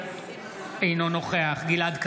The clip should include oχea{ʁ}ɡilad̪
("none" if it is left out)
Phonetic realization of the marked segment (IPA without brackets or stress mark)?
χ